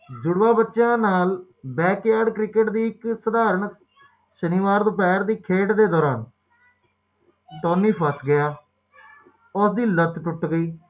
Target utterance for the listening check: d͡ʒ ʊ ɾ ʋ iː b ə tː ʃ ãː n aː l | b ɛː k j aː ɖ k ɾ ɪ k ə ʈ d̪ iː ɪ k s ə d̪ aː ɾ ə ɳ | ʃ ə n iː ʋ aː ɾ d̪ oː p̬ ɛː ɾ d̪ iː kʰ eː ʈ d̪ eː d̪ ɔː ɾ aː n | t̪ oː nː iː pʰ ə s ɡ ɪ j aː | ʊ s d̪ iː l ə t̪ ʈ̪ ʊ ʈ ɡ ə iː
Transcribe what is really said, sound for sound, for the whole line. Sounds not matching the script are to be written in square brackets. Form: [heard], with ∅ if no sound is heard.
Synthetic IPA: d͡ʒ ʊ [ɽ] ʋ [aː] b ə tː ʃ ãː n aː l | b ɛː k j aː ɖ k ɾ ɪ k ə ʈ d̪ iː ɪ k s ə d̪ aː ɾ ə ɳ | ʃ ə n iː ʋ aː ɾ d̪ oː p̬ ɛː ɾ d̪ iː kʰ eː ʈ d̪ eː d̪ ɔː ɾ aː n | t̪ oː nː iː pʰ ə s ɡ ɪ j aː | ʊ s d̪ iː l ə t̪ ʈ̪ ʊ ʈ ɡ ə iː